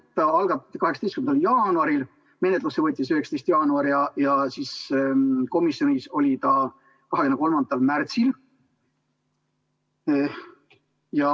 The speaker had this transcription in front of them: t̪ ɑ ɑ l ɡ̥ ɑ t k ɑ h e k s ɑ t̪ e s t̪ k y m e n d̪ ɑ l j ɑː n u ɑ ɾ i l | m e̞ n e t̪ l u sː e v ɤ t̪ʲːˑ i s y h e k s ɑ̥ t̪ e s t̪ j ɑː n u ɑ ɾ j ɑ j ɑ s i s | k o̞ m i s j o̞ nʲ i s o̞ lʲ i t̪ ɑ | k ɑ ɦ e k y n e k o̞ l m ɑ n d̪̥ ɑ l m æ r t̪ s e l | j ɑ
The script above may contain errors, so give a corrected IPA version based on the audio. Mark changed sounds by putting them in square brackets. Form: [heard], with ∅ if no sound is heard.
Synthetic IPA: t̪ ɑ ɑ l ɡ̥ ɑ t k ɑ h e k s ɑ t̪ e s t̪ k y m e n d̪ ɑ l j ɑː n u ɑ ɾ i l | m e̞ n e t̪ l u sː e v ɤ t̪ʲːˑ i s y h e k s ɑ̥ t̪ e s t̪ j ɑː n u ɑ ɾ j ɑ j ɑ s i s | k o̞ m i s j o̞ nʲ i s o̞ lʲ i t̪ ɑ | k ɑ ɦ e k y n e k o̞ l m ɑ n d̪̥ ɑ l m æ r t̪ s [i] l | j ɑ